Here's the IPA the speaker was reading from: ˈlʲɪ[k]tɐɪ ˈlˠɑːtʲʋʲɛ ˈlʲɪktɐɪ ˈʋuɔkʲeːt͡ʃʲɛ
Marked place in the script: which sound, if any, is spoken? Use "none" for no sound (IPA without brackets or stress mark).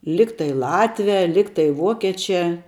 k